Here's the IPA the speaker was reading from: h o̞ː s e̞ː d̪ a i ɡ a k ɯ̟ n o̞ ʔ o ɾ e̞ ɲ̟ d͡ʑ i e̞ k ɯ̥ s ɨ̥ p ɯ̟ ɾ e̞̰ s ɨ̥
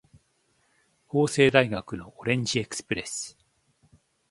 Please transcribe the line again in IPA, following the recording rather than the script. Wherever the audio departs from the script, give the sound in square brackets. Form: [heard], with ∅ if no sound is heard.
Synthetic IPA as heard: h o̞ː s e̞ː d̪ a i ɡ a k ɯ̟ n o̞ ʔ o ɾ [ẽ̞] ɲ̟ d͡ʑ i e̞ k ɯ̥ s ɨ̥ p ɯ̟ ɾ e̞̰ s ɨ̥

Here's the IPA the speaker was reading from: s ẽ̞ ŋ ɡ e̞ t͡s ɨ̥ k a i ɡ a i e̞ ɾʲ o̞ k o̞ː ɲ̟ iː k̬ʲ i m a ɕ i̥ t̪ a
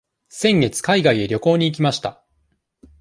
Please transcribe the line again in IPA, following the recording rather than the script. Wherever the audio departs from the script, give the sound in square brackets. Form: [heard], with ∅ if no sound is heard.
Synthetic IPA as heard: s ẽ̞ ŋ ɡ e̞ t͡s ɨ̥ k a i ɡ a i e̞ ɾʲ o̞ k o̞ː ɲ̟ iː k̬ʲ i m a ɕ i̥ t̪ a

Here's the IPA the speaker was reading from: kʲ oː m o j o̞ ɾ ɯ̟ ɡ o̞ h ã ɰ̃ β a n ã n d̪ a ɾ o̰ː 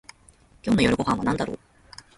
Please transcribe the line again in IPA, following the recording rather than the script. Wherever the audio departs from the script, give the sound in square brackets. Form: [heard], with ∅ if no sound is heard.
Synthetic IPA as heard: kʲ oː [n] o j o̞ ɾ ɯ̟ ɡ o̞ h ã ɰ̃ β a n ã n d̪ a ɾ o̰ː

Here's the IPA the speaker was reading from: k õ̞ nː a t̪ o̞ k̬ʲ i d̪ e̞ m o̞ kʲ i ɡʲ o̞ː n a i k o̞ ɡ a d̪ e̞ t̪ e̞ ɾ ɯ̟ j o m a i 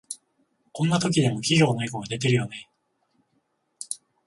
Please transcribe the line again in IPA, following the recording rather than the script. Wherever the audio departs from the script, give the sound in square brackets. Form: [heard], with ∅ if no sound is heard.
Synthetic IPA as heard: k õ̞ nː a t̪ o̞ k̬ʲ i d̪ e̞ m o̞ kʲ i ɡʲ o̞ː n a i k o̞ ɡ a d̪ e̞ t̪ e̞ ɾ ɯ̟ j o [n] a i

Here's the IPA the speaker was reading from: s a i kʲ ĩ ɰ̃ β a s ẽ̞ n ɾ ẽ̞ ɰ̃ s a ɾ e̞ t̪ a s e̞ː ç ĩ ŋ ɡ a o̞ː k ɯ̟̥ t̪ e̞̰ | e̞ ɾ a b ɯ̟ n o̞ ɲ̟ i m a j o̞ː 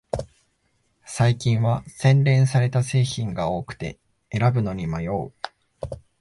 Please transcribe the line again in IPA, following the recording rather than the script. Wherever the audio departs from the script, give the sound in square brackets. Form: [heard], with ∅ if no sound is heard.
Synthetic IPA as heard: s a i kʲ ĩ ɰ̃ β a s ẽ̞ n ɾ ẽ̞ ɰ̃ s a ɾ e̞ t̪ a s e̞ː ç ĩ ŋ ɡ a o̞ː k ɯ̟̥ t̪ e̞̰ | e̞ ɾ a b ɯ̟ n o̞ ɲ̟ i m a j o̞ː

